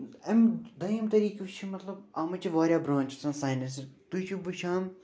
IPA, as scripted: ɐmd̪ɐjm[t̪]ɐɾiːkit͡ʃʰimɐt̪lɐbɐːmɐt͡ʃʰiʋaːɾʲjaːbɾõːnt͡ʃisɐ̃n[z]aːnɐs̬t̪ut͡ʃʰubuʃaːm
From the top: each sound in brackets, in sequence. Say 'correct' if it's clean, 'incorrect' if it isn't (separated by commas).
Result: correct, incorrect